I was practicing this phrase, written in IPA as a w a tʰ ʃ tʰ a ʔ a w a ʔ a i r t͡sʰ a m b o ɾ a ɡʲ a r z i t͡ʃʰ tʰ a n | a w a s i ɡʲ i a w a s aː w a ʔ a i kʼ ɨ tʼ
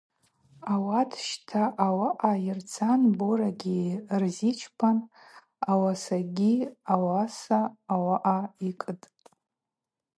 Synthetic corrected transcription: a w a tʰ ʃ tʰ a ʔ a w a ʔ a i r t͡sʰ a n b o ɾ a ɡʲ i r z i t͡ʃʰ pʰ a n | a w a s a ɡʲ i a w a s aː w a ʔ a i kʼ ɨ tʼ